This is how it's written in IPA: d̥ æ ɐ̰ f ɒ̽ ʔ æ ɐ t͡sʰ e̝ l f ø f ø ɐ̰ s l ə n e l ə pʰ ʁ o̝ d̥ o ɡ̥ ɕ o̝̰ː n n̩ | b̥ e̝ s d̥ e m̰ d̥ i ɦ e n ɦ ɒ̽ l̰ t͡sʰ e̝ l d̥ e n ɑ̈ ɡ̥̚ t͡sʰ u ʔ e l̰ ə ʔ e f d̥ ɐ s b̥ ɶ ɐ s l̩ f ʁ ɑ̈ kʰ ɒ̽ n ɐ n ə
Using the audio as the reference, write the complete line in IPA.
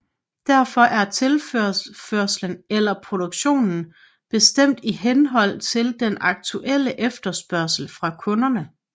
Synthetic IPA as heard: d̥ æ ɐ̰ f ɒ̽ ʔ æ ɐ t͡sʰ e̝ l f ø f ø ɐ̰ s l ə n e l ɐ pʰ ʁ o̝ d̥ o ɡ̥ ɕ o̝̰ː n n̩ | b̥ e̝ s d̥ e m̰ d̥ i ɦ e n ɦ ɒ̽ l̰ t͡sʰ e̝ l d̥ e n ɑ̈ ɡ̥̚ t͡sʰ u ʔ e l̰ ə ʔ e f d̥ ɐ s b̥ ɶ ɐ s l̩ f ʁ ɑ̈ kʰ ɔ̽ n ɐ n ə